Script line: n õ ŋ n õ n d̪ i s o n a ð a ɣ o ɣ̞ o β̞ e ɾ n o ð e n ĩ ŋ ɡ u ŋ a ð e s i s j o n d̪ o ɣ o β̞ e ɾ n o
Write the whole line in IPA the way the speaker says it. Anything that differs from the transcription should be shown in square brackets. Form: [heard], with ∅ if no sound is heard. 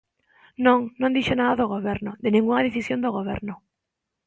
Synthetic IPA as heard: n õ ŋ n õ n d̪ i [ʃ] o n a ð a [ð] o ɣ̞ o β̞ e ɾ n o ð e n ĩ ŋ ɡ u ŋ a ð e [θ] i s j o n d̪ o ɣ o β̞ e ɾ n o